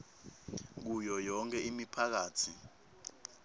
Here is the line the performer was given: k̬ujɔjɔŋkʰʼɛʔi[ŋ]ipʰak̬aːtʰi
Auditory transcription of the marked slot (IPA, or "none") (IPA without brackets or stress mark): m